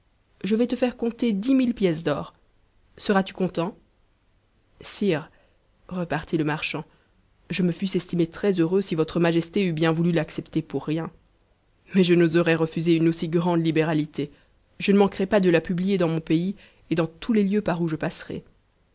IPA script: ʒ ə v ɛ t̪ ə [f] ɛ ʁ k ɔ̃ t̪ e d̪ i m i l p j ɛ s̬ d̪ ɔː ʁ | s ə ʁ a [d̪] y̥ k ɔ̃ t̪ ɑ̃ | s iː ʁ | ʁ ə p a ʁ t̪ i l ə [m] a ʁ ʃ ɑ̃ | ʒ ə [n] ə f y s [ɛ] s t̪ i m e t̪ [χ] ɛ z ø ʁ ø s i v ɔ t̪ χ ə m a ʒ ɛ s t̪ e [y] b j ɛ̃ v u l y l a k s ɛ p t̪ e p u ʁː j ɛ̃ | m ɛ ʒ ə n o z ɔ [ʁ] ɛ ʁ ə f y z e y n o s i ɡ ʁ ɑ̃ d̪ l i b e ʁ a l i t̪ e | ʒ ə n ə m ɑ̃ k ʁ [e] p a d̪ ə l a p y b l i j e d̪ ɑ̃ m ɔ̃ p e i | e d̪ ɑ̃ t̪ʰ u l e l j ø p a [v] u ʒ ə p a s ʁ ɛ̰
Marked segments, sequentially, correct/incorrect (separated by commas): correct, incorrect, correct, incorrect, correct, correct, correct, correct, incorrect, incorrect